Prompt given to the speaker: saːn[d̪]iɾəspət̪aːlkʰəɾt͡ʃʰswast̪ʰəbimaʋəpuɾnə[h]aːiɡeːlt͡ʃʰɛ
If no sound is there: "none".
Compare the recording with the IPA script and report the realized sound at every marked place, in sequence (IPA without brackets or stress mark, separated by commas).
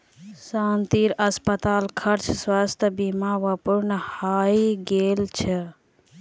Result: t̪, h